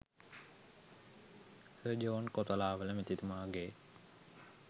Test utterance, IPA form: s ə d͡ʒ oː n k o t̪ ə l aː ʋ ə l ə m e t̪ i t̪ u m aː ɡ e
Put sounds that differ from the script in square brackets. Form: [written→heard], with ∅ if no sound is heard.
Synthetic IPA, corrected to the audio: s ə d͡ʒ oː n k o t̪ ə l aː ʋ ə l ə m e t̪ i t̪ u m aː ɡ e